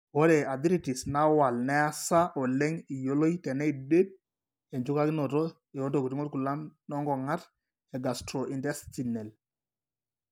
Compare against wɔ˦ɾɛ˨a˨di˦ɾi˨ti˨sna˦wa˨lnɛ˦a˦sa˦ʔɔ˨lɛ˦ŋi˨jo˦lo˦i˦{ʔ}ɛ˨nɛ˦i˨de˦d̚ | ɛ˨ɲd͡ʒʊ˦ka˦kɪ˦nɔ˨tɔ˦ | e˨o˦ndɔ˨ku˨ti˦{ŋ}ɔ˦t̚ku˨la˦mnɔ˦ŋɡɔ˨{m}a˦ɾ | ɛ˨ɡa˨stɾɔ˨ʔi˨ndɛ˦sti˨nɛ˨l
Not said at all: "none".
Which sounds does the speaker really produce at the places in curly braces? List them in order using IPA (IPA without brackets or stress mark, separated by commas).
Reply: t, ŋ, ŋ